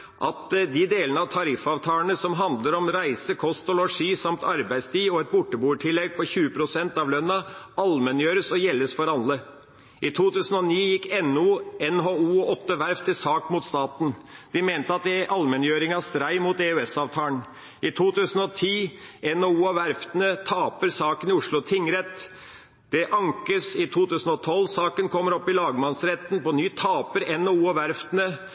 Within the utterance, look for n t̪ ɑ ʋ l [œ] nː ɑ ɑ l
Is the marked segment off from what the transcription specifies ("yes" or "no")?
no